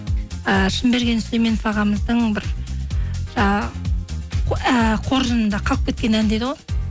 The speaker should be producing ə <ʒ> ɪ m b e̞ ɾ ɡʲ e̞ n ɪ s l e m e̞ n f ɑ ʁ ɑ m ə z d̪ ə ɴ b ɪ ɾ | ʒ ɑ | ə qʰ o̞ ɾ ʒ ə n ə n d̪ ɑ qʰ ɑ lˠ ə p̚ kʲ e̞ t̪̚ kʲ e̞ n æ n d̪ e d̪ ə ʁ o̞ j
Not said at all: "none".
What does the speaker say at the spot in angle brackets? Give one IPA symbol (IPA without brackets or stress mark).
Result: ʃ